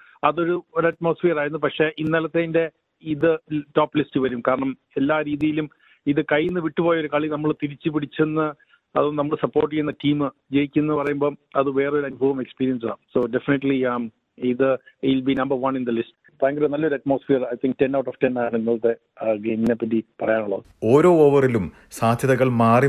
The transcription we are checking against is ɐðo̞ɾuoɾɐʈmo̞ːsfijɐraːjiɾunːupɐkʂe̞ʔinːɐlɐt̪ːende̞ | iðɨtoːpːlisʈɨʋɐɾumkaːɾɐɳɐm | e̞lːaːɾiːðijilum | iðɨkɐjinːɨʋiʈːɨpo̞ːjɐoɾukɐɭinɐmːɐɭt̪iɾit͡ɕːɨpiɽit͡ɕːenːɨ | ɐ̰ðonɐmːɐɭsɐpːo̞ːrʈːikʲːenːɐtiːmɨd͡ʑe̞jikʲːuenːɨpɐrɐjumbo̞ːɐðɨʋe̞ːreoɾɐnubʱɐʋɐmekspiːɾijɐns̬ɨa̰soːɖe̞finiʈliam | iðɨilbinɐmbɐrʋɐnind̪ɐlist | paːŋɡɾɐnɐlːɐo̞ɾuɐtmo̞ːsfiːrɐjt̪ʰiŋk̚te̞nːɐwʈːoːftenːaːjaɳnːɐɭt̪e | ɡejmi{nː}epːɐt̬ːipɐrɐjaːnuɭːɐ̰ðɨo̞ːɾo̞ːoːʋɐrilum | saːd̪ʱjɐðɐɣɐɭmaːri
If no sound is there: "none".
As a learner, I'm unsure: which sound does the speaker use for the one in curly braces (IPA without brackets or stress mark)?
n